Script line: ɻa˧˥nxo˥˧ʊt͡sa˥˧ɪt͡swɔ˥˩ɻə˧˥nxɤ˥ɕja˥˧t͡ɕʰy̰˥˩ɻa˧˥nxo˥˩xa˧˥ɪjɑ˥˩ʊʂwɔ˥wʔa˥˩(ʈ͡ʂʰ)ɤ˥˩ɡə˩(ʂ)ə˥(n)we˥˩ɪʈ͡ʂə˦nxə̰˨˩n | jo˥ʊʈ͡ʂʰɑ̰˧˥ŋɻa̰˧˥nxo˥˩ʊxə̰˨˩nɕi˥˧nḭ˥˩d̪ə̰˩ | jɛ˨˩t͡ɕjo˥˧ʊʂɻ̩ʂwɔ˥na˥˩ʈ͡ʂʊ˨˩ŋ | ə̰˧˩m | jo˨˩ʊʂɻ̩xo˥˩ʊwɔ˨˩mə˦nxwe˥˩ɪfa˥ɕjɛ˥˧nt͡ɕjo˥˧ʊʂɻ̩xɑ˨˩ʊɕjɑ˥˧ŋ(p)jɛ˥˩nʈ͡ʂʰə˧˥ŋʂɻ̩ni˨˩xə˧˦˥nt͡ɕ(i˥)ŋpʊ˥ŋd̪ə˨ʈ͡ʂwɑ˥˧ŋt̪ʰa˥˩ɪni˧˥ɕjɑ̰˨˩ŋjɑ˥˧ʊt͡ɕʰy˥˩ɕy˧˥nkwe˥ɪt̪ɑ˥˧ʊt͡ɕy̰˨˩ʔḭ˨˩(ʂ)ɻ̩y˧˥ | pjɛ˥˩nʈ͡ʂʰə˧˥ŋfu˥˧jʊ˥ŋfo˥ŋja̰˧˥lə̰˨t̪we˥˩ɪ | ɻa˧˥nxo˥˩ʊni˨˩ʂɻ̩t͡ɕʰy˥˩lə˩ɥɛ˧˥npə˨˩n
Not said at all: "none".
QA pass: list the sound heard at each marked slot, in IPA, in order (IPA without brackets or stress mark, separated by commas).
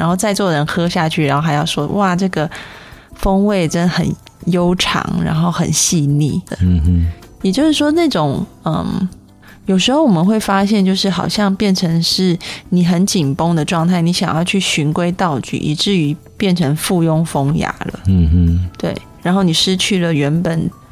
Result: ʈ͡ʂ, f, ŋ, p, i˨˩, ʈ͡ʂ